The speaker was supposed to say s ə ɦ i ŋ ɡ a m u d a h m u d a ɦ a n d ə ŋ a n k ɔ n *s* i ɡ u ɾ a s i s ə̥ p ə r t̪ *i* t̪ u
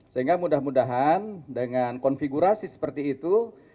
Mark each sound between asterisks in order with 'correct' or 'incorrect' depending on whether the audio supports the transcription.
incorrect: f, incorrect: iː

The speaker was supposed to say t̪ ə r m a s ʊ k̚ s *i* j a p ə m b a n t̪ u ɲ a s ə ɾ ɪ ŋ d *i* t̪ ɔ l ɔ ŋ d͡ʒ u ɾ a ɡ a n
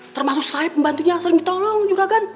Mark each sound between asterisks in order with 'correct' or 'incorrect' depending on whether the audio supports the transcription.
incorrect: a, correct

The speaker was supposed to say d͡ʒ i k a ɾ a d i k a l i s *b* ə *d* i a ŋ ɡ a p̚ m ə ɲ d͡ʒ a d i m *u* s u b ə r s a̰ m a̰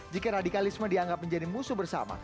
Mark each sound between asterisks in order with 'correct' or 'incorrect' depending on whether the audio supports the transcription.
incorrect: m, correct, correct

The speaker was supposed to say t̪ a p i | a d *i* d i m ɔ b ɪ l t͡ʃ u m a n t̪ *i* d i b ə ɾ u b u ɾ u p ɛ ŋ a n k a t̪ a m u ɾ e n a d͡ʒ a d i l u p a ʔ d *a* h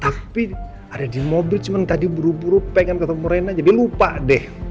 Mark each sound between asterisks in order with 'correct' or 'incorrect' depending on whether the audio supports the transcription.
incorrect: a, incorrect: a, incorrect: ɛ

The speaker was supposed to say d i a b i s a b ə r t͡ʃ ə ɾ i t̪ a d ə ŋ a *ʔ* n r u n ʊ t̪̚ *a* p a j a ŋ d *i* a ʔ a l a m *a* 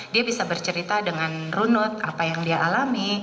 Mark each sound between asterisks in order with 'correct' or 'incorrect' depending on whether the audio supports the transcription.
incorrect: none, correct, correct, incorrect: i

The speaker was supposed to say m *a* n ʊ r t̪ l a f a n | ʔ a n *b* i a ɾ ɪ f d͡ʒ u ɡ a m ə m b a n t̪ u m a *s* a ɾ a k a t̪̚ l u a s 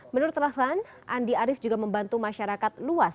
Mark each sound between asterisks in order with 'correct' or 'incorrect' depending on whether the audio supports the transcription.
incorrect: ə, incorrect: d, incorrect: ʃ

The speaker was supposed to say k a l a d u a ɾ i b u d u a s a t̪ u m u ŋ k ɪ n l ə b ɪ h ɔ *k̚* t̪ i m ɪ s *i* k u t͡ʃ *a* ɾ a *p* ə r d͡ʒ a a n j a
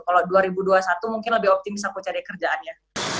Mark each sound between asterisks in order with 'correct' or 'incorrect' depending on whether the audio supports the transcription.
incorrect: p̚, incorrect: a, correct, incorrect: k

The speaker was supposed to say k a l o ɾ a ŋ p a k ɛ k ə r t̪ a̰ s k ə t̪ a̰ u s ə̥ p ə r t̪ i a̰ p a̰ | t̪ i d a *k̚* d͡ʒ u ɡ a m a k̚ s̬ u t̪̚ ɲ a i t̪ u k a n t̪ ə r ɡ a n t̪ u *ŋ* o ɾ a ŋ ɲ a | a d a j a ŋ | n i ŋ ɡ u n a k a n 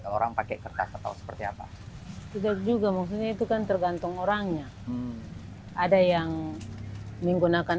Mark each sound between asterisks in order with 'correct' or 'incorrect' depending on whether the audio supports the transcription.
correct, correct

